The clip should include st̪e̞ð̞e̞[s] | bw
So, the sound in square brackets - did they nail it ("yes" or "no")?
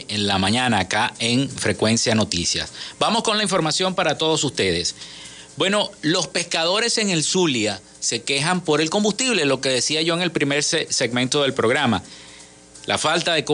yes